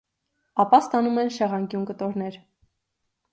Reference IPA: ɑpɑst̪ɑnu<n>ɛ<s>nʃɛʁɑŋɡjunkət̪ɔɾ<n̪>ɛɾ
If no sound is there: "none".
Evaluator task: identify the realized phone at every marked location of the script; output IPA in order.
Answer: m, none, n̪

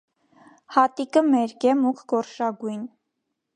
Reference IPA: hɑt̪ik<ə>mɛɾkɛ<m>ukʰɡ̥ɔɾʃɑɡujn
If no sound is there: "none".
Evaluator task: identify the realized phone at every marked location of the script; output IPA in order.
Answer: ə, m

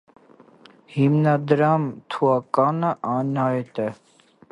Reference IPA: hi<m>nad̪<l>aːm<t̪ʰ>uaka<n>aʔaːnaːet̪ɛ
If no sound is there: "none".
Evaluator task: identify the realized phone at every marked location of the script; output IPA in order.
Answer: m, ɾ, t̪ʰ, n

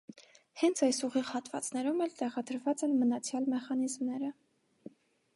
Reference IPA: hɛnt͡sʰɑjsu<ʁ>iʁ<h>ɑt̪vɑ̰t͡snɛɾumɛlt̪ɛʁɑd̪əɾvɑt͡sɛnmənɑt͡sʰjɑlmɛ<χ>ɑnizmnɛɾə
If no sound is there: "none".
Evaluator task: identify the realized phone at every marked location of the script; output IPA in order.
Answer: ʁ, h, χ

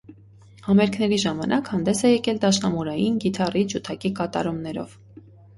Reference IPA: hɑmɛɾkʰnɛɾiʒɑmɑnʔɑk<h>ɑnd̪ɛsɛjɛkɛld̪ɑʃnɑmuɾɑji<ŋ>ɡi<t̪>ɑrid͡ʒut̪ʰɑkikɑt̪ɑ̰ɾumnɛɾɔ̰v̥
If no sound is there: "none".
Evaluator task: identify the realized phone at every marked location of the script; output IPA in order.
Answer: h, n, t̪ʰ

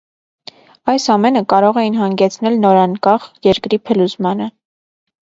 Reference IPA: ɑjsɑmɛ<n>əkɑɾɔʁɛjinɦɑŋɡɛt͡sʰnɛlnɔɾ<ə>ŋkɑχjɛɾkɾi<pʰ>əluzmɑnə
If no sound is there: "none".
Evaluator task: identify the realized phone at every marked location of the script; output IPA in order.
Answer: n, ɑ, pʰ

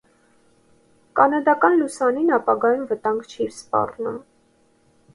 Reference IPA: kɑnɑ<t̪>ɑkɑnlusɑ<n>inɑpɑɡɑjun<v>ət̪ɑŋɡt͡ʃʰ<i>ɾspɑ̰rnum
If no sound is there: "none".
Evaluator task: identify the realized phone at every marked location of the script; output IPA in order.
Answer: d̪, n, v, i

